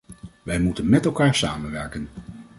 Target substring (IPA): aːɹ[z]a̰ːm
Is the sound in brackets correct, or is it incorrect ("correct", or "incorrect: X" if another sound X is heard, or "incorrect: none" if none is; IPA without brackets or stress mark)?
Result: incorrect: s